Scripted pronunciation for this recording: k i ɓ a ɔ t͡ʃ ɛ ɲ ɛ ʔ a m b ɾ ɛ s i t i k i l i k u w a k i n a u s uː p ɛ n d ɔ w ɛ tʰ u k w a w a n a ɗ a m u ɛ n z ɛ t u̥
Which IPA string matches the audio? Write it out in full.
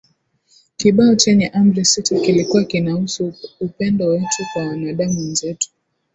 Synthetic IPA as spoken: k i ɓ a ɔ t͡ʃ ɛ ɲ ɛ ʔ a m b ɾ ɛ s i t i k i l i k u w a k i n a u s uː p ɛ n d ɔ w ɛ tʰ u k w a w a n a ɗ a m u ɛ n z ɛ t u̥